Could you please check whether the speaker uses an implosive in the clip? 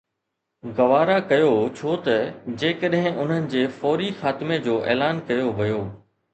yes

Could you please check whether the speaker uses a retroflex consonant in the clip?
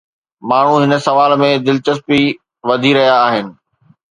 yes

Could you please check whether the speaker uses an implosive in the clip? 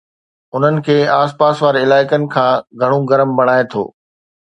no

